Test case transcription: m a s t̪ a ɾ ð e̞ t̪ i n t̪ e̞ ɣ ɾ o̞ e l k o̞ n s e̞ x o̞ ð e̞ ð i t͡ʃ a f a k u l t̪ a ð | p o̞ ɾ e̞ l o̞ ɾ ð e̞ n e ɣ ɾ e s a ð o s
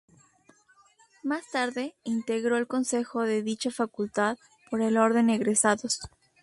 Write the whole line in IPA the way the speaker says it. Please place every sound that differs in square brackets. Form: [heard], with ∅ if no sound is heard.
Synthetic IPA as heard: m a s t̪ a ɾ ð e̞ [∅] i n t̪ e̞ ɣ ɾ o̞ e l k o̞ n s e̞ x o̞ ð e̞ ð i t͡ʃ a f a k u l t̪ a ð | p o̞ ɾ e̞ l o̞ ɾ ð e̞ n e ɣ ɾ e s a ð o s